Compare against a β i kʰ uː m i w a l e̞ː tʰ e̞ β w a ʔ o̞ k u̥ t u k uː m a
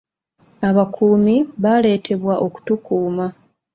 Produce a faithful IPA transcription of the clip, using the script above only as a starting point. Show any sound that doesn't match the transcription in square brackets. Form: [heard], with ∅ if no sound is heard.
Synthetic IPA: a β [a] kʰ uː m i [β] a l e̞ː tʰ e̞ β w a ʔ o̞ k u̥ t u k uː m a